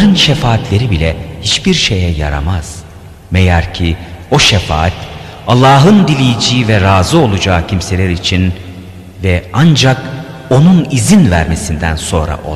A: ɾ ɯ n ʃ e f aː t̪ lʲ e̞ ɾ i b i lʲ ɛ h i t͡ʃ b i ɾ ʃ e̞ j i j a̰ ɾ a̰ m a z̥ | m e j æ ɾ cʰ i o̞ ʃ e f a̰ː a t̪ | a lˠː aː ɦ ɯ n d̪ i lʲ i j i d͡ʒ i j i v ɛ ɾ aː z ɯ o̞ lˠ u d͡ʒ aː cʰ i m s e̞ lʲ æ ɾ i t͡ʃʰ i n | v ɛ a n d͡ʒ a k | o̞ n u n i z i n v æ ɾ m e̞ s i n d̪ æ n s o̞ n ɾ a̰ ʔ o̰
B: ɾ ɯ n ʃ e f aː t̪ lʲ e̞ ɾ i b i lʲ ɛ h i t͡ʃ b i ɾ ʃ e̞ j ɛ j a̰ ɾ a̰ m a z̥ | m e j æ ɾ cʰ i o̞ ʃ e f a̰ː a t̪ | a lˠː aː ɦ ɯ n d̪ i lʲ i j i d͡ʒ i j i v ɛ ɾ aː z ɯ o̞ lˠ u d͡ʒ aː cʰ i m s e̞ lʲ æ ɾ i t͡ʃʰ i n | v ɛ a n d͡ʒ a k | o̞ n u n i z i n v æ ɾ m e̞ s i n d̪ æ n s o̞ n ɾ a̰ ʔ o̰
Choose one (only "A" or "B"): B